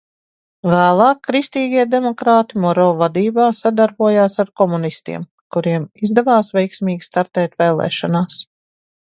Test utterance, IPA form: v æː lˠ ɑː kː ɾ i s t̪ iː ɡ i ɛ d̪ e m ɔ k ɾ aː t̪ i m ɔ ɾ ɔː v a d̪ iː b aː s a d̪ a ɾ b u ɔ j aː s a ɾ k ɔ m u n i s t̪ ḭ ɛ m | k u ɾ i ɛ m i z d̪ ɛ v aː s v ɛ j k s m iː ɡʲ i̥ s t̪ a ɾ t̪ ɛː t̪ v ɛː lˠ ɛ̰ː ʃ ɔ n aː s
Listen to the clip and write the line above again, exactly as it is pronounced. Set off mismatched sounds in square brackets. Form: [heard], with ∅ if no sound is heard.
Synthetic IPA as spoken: v æː lˠ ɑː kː ɾ i s t̪ iː ɡ i ɛ d̪ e m ɔ k ɾ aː t̪ i m ɔ ɾ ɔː v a d̪ iː b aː s a d̪ a ɾ b u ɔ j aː s a ɾ k ɔ m u n i s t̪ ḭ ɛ m | k u ɾ i ɛ m i z d̪ ɛ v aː s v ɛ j k s m iː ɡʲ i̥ s t̪ a ɾ t̪ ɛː t̪ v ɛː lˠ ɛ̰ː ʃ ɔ n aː s